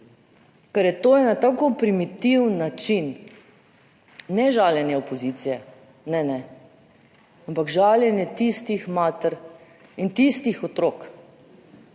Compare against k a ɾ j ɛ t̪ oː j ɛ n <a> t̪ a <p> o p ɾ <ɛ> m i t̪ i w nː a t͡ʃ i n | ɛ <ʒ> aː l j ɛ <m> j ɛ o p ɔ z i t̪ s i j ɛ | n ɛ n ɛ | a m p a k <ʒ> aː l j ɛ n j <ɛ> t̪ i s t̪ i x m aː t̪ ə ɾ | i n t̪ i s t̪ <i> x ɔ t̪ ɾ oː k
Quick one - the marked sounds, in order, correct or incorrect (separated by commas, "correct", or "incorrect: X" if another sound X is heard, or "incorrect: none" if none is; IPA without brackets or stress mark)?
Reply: correct, incorrect: k, incorrect: i, correct, incorrect: n, correct, correct, correct